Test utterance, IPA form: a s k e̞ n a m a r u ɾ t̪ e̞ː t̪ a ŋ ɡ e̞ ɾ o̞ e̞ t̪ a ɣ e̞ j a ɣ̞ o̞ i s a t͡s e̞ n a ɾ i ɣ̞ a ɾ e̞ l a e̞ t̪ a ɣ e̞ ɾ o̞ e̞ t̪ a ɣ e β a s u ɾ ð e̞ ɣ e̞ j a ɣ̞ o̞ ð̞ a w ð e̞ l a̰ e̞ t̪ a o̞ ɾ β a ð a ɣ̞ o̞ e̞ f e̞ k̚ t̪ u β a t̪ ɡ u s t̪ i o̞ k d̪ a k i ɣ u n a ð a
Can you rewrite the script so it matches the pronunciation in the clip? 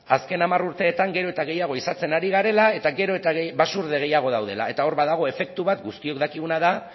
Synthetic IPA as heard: a s k e̞ n a m a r u ɾ t̪ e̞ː t̪ a ŋ ɡ e̞ ɾ o̞ e̞ t̪ a ɣ e̞ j a ɣ̞ o̞ i s a t͡s e̞ n a ɾ i ɣ̞ a ɾ e̞ l a e̞ t̪ a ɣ e̞ ɾ o̞ e̞ t̪ a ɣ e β a s u ɾ ð e̞ ɣ e̞ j a ɣ̞ o̞ ð̞ a w ð e̞ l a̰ e̞ t̪ a o̞ ɾ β a ð a ɣ̞ o̞ e̞ f e̞ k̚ t̪ u β a t̪ ɡ u s t̪ i o̞ k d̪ a k i ɣ u n a ð a